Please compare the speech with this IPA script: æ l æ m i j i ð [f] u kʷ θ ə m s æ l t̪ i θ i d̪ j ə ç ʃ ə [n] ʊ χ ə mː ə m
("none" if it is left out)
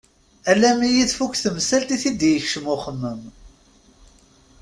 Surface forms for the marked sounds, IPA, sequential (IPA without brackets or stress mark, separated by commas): f, m